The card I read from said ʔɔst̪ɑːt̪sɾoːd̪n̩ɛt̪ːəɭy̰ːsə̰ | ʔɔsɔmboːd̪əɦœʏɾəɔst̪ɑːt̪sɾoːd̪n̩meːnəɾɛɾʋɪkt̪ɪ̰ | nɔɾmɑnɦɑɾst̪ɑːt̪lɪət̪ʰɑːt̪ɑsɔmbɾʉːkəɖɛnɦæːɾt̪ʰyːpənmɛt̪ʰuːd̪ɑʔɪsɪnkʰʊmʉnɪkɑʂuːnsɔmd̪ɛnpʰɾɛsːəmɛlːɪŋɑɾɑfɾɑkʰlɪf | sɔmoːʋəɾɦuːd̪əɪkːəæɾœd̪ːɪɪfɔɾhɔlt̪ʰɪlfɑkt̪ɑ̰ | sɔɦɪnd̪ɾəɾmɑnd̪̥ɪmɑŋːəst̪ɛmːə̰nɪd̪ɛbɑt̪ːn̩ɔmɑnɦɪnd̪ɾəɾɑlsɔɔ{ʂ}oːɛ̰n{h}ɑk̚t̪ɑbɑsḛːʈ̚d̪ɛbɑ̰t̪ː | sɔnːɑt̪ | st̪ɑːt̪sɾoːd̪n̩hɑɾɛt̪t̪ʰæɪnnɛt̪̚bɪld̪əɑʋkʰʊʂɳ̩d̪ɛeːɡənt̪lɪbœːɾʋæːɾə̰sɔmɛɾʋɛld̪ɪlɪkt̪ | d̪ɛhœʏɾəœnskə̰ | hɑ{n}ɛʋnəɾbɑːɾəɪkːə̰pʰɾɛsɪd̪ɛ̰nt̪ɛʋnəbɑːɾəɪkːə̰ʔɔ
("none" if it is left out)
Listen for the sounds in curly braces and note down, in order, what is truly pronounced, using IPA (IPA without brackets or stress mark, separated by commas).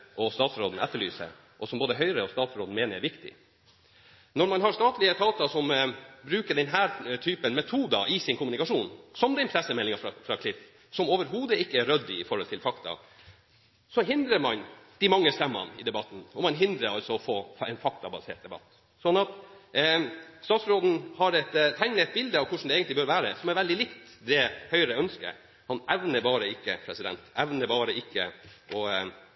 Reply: f, f, n